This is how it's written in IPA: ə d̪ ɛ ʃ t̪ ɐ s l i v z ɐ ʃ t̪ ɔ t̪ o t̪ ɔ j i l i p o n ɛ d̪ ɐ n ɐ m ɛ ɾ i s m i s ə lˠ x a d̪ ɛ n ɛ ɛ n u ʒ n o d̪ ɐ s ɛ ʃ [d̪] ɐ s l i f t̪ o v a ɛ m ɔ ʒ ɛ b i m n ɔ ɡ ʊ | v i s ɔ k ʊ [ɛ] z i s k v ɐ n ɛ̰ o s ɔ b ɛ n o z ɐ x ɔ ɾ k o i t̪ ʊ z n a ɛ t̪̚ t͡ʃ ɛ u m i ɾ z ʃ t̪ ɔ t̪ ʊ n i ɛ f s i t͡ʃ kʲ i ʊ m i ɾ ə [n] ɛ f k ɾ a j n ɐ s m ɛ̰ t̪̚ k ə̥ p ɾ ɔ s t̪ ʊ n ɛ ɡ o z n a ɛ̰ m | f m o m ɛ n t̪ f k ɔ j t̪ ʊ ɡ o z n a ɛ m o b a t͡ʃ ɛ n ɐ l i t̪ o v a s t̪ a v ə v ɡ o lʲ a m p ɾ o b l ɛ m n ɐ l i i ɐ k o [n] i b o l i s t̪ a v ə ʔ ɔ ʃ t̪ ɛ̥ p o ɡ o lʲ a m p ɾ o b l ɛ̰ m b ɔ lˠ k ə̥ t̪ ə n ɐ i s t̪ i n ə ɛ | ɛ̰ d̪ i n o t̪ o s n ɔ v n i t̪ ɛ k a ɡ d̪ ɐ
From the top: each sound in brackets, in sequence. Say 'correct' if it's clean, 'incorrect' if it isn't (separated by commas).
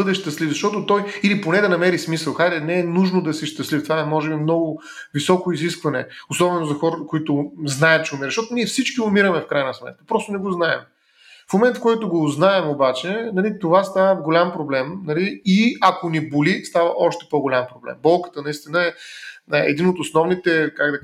incorrect, incorrect, incorrect, correct